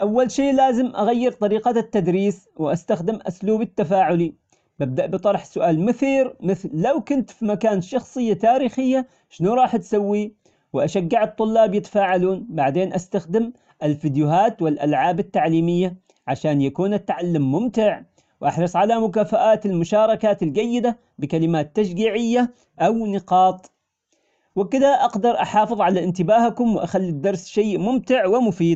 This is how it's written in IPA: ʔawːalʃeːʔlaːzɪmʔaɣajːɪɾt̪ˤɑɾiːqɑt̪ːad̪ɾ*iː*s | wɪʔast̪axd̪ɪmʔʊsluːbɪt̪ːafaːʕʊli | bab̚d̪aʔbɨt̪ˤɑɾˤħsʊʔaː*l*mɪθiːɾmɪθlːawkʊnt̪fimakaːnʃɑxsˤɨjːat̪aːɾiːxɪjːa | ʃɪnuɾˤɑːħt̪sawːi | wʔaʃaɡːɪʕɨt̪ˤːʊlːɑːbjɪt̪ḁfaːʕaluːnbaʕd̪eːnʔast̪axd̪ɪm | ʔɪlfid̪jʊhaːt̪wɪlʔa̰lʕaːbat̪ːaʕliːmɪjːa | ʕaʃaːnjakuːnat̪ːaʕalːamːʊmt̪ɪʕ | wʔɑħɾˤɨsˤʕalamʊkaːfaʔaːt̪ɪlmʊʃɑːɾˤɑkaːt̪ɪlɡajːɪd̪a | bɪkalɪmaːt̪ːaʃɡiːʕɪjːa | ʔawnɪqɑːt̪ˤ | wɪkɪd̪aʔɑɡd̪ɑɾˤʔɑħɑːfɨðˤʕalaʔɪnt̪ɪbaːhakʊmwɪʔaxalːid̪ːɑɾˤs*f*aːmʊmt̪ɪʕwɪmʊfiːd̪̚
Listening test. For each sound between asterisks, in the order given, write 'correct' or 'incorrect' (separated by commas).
correct, correct, incorrect